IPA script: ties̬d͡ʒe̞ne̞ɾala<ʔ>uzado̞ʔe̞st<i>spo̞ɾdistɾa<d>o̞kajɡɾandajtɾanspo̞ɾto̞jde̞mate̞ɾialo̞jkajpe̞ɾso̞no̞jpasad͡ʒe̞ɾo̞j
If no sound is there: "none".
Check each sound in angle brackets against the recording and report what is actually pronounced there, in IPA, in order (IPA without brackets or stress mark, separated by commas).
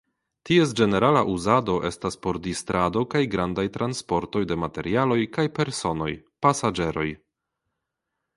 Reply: ʔ, a, d